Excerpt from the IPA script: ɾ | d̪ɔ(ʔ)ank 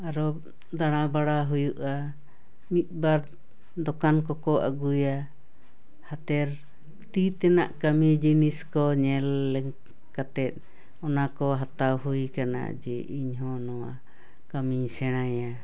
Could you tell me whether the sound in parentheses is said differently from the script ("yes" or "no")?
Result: yes